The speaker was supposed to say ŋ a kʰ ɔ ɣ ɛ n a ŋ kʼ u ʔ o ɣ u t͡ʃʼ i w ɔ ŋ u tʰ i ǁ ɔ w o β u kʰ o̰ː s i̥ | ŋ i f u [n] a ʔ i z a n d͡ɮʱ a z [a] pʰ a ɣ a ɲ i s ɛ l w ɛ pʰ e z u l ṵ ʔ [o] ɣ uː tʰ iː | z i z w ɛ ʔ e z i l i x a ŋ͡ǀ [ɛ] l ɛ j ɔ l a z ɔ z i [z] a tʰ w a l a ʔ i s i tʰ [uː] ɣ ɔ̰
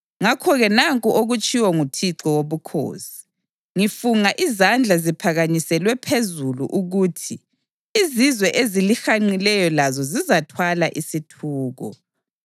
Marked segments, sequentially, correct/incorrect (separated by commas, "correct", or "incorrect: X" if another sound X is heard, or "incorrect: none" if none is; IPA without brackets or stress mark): incorrect: ŋ, incorrect: i, incorrect: u, incorrect: i, correct, correct